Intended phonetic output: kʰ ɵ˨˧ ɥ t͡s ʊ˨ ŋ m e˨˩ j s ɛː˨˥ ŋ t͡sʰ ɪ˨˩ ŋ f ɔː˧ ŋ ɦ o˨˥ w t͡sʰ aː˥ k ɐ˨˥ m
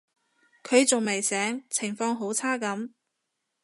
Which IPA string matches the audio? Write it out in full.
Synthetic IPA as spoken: kʰ ɵ˨˧ ɥ t͡s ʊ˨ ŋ m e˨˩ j s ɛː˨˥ ŋ t͡sʰ ɪ˨˩ ŋ f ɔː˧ ŋ ɦ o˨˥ w t͡sʰ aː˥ k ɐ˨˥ m